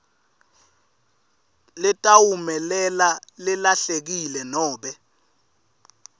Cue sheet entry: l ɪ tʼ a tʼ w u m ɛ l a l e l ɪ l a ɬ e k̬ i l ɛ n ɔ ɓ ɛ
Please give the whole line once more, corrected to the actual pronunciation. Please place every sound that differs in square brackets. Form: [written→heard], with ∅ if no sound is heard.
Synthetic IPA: l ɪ tʼ a [tʼ→∅] w u m ɛ l [a→ɛ] l [e→a] l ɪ l a ɬ e k̬ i l ɛ n [ɔ→ɔː] ɓ ɛ